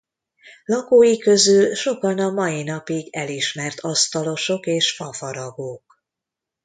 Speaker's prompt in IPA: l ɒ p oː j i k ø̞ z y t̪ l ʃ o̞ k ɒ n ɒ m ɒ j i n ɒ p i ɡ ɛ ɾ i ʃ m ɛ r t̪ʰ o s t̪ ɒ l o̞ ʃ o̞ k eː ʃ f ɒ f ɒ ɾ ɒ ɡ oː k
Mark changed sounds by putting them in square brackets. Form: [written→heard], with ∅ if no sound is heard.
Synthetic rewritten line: l ɒ [p→k] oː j i k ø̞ z y [t̪→∅] l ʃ o̞ k ɒ n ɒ m ɒ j i n ɒ p i ɡ ɛ [ɾ→l] i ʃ m ɛ r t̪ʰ [o→ɒ] s t̪ ɒ l o̞ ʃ o̞ k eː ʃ f ɒ f ɒ ɾ ɒ ɡ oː k

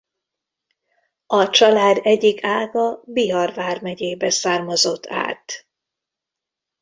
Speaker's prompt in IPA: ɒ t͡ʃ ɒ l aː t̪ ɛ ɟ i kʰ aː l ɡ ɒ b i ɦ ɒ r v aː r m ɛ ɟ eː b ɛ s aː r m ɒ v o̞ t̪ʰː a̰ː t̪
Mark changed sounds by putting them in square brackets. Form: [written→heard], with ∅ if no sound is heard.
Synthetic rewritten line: ɒ t͡ʃ ɒ l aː [t̪→d̪] ɛ ɟ i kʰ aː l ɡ ɒ b i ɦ ɒ r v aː r m ɛ ɟ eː b ɛ s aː r m ɒ [v→z] o̞ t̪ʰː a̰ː t̪

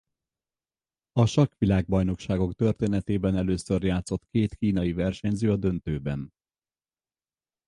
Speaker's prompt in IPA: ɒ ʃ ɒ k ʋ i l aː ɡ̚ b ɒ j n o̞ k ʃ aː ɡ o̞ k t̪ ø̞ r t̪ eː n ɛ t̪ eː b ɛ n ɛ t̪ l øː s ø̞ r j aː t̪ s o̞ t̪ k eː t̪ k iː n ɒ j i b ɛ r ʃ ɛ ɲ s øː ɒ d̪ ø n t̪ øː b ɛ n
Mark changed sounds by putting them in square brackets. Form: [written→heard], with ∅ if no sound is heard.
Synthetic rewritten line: ɒ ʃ ɒ k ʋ i l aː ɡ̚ b ɒ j n o̞ k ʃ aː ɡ o̞ k t̪ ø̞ r t̪ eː n ɛ t̪ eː b ɛ n ɛ [t̪→∅] l øː s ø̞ r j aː t̪ s o̞ t̪ k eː t̪ k iː n ɒ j i [b→v] ɛ r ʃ ɛ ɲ [s→z] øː ɒ d̪ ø n t̪ øː b ɛ n

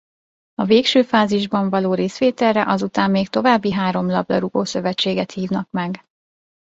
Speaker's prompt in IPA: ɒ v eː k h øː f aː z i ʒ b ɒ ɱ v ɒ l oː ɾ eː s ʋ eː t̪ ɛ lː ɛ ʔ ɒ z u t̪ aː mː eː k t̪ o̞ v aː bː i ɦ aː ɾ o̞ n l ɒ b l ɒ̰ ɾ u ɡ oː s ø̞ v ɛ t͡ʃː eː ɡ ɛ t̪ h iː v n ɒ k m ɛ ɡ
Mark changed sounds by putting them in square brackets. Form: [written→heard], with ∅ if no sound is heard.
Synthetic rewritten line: ɒ v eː k [h→ʃ] øː f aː z i ʒ b ɒ ɱ v ɒ l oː ɾ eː s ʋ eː t̪ ɛ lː ɛ ʔ ɒ z u t̪ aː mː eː k t̪ o̞ v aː bː i ɦ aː ɾ o̞ [n→m] l ɒ b l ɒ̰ ɾ u ɡ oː s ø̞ v ɛ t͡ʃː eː ɡ ɛ t̪ h iː v n ɒ k m ɛ ɡ

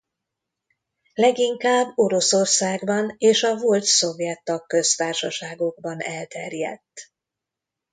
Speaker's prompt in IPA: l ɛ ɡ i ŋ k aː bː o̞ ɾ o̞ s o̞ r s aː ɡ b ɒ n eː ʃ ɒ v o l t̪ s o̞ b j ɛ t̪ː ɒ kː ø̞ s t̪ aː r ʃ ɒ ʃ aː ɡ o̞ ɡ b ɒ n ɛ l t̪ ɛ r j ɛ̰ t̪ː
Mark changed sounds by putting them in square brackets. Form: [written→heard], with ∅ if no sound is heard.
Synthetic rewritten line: l ɛ ɡ i ŋ k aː bː o̞ ɾ o̞ s o̞ r s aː ɡ b ɒ n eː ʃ ɒ v o l t̪ s o̞ [b→v] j ɛ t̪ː ɒ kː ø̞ s t̪ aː r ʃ ɒ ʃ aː ɡ o̞ ɡ b ɒ n ɛ l t̪ ɛ r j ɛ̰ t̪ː

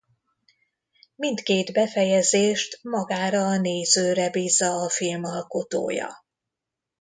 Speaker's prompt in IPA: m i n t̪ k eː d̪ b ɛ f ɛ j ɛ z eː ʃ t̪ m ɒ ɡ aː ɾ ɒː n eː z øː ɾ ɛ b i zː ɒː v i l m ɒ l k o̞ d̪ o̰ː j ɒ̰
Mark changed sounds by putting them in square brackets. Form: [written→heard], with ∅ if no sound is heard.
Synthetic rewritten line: m i n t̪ k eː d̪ b ɛ f ɛ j ɛ z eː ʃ t̪ m ɒ ɡ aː ɾ ɒː n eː z øː ɾ ɛ b [i→iː] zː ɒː [v→f] i l m ɒ l k o̞ [d̪→t̪] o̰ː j ɒ̰

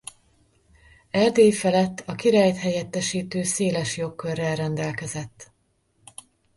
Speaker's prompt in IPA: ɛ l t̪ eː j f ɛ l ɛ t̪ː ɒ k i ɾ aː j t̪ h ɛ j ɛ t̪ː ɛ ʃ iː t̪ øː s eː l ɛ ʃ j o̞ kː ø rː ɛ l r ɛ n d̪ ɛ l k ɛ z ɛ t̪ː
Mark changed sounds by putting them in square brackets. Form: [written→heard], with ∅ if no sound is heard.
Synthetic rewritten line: ɛ l [t̪→d̪] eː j f ɛ l ɛ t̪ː ɒ k i ɾ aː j t̪ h ɛ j ɛ t̪ː ɛ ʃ iː t̪ øː s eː l ɛ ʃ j o̞ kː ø rː ɛ l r ɛ n d̪ ɛ l k ɛ z ɛ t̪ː

